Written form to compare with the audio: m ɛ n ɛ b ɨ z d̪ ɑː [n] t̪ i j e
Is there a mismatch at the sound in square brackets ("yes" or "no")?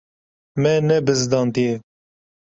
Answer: no